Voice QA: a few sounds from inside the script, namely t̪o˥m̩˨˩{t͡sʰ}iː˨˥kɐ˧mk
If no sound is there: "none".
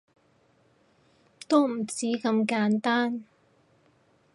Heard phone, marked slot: t͡s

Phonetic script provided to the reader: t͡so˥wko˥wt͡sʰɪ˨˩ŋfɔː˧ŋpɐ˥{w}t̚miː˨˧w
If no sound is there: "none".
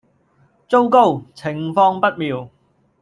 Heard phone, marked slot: none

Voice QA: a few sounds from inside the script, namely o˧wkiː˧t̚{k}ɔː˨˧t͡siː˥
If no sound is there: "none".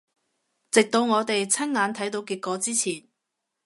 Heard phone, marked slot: k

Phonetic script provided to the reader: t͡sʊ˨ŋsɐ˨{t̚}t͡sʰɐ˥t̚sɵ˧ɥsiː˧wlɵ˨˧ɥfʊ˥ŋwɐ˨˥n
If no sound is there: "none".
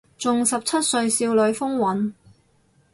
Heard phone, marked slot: p̚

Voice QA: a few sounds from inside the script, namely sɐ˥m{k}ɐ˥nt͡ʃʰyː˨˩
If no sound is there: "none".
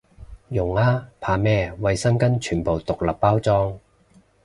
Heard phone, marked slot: k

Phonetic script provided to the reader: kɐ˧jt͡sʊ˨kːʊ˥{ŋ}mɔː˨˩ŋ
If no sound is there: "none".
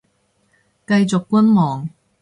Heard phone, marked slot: n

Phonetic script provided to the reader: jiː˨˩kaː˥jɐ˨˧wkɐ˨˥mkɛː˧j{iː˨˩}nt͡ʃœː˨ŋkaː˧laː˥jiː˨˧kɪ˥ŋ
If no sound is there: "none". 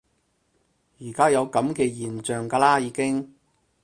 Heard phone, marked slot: iː˨˩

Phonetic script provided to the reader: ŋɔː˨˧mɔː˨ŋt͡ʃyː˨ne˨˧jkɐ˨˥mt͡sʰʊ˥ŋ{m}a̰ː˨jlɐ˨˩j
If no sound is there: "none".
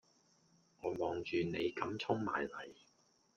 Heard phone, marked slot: m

